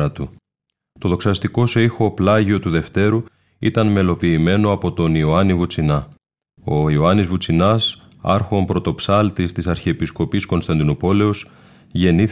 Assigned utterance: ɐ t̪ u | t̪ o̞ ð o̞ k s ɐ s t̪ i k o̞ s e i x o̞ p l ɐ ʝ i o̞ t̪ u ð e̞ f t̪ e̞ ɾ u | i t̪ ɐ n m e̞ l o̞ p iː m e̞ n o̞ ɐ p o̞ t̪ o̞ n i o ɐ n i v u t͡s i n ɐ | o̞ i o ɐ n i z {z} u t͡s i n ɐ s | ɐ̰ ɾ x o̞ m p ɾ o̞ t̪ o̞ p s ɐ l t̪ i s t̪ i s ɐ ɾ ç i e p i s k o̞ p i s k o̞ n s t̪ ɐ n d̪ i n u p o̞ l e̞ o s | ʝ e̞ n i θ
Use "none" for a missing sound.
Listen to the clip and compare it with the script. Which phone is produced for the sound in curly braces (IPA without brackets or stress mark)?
v